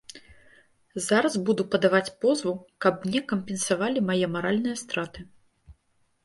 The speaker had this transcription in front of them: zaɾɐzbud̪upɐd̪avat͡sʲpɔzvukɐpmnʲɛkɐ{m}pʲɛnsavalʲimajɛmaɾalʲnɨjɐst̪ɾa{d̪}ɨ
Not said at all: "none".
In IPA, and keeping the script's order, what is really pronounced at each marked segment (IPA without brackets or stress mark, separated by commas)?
m, t̪